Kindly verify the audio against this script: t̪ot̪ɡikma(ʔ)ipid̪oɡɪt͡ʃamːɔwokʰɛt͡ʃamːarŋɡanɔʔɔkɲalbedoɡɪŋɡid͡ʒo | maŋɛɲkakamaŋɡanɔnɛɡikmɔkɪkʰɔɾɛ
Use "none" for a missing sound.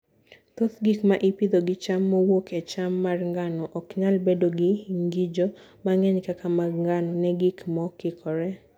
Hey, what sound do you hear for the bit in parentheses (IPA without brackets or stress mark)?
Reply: ʔ